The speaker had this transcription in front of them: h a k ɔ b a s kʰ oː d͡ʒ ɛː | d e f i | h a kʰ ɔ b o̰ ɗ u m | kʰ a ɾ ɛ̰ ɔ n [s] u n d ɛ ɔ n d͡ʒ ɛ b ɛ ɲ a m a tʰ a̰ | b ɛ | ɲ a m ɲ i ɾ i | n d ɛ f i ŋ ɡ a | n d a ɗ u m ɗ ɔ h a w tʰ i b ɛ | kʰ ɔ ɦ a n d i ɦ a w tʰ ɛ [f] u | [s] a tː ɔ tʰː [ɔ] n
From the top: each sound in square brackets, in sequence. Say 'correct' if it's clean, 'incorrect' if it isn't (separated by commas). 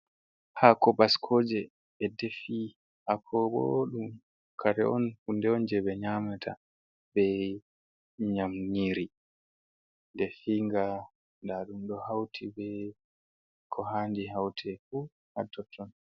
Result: incorrect, correct, incorrect, correct